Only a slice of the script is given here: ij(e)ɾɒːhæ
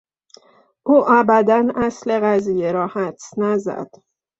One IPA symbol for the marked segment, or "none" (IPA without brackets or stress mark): e